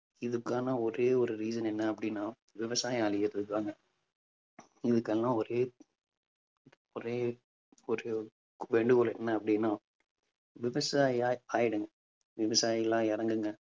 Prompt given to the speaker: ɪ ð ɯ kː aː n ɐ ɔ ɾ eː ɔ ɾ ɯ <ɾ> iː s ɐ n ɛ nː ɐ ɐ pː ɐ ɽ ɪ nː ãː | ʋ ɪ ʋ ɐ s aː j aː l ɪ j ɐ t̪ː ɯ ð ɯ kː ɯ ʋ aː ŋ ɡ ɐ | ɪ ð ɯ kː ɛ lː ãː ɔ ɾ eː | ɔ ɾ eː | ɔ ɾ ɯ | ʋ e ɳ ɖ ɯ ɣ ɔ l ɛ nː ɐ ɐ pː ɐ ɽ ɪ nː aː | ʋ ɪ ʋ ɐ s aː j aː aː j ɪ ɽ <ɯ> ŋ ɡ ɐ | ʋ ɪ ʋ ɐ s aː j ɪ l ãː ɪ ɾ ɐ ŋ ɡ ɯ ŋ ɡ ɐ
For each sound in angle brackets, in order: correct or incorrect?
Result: correct, correct

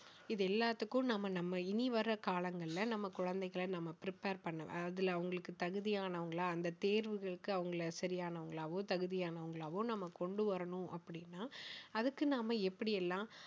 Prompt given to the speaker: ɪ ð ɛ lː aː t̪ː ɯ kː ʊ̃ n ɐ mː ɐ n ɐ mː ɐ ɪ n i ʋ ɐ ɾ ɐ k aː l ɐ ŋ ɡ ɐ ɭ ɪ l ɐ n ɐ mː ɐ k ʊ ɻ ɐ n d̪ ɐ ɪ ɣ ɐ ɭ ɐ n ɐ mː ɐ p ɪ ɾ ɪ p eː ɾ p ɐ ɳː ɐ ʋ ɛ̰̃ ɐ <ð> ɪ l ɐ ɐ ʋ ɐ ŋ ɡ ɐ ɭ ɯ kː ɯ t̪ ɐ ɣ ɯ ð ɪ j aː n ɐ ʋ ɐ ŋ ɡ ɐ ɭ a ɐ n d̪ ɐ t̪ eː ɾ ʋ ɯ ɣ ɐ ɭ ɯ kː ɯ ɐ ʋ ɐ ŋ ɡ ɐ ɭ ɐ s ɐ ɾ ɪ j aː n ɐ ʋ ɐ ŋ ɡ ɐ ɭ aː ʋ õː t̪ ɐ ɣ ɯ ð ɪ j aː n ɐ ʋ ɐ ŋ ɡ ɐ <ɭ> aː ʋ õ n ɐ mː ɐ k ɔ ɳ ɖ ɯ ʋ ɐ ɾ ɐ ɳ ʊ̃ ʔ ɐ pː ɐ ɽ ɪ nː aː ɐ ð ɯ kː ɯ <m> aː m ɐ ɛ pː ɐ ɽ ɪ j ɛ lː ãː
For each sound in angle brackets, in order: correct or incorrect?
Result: correct, correct, incorrect

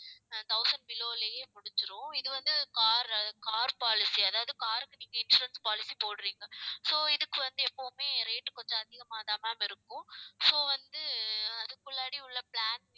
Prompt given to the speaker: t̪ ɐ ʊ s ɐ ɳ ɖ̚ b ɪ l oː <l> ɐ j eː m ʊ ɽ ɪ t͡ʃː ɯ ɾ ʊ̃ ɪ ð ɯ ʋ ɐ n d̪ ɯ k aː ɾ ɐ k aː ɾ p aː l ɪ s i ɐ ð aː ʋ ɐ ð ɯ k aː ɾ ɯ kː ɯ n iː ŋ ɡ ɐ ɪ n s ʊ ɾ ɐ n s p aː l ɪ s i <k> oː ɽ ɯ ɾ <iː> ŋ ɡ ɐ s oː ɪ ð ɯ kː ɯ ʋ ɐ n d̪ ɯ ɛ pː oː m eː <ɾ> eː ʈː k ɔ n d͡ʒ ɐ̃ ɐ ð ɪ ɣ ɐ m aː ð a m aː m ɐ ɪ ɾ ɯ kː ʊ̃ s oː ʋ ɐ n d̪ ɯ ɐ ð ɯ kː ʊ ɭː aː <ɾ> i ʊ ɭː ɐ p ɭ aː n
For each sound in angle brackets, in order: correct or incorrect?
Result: correct, incorrect, correct, correct, incorrect

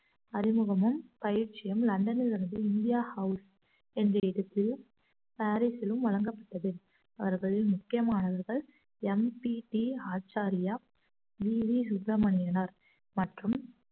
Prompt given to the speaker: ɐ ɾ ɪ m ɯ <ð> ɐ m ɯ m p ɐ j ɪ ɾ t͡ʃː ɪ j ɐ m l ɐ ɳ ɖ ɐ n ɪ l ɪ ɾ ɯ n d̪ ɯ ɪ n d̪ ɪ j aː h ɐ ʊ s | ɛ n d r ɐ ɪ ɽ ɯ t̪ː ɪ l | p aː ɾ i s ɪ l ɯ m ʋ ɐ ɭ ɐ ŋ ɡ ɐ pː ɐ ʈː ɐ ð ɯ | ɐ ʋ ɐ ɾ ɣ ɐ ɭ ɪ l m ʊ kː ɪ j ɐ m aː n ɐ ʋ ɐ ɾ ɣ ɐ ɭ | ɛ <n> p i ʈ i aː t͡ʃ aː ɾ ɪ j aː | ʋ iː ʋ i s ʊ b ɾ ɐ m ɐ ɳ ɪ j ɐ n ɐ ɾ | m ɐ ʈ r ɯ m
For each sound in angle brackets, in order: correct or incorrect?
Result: incorrect, incorrect

